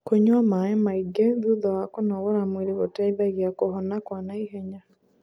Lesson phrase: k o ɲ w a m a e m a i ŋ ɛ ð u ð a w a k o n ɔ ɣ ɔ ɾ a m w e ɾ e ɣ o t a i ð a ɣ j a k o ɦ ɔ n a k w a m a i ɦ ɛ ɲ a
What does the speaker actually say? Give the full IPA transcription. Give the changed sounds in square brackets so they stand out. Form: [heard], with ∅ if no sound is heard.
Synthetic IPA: k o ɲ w a m a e m a i [ɡ] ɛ ð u ð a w a k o n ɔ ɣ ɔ ɾ a m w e ɾ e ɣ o t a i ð a ɣ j a k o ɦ ɔ n a k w a [n] a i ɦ ɛ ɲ a